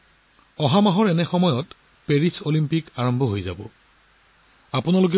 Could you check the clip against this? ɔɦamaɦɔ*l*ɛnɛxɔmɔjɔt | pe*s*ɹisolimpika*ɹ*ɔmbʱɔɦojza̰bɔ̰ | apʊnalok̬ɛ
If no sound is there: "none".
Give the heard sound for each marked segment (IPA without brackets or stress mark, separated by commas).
ɹ, none, ɹ